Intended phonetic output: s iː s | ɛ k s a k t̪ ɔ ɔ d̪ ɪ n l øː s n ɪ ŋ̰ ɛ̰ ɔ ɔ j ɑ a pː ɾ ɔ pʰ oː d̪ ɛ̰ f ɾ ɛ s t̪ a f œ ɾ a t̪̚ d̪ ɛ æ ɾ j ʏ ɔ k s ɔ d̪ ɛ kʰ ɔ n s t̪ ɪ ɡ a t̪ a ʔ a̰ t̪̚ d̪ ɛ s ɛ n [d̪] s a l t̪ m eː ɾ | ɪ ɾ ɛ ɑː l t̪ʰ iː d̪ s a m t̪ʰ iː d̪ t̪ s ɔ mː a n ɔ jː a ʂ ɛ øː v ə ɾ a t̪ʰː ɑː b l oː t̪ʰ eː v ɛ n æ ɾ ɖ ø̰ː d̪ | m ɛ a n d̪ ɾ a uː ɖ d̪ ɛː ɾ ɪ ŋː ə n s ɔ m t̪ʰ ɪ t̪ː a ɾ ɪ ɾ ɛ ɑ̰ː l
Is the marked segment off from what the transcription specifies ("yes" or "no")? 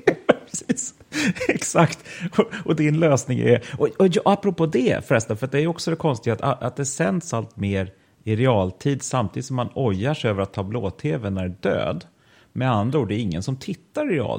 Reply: no